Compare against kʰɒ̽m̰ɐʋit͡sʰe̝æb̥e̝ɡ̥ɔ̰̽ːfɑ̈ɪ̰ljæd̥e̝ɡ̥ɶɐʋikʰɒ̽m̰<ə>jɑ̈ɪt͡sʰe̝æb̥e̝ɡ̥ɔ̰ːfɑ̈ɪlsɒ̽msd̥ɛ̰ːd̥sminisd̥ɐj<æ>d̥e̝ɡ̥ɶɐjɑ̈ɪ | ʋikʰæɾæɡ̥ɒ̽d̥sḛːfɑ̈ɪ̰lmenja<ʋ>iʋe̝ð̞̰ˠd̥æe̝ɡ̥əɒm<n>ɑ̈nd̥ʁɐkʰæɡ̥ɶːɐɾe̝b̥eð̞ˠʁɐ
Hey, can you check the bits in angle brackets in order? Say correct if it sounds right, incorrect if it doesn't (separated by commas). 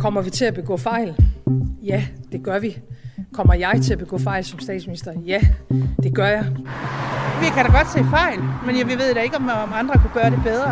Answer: incorrect, correct, correct, incorrect